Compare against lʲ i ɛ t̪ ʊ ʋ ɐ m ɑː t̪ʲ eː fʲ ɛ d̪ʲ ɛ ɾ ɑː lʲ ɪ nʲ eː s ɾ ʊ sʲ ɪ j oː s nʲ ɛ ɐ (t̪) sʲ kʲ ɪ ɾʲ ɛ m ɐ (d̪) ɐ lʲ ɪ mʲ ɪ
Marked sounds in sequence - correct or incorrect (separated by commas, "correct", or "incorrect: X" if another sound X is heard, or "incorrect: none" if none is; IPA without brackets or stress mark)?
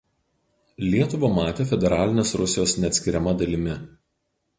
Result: correct, correct